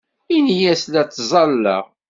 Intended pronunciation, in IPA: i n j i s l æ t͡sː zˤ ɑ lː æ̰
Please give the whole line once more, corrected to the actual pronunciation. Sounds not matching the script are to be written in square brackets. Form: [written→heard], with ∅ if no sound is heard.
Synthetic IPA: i n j [i→æ] s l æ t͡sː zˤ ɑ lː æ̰